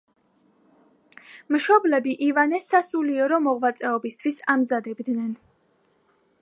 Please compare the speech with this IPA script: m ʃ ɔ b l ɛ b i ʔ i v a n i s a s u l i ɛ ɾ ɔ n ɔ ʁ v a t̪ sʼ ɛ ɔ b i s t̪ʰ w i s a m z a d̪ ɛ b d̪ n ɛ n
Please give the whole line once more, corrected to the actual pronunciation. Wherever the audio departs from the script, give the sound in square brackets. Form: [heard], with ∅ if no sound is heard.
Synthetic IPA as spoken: m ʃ ɔ b l ɛ b i ʔ i v a n [ɛ] s a s u l i ɛ ɾ ɔ [m] ɔ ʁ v a t̪ sʼ ɛ ɔ b i s t̪ʰ w i s a m z a d̪ ɛ b d̪ n ɛ n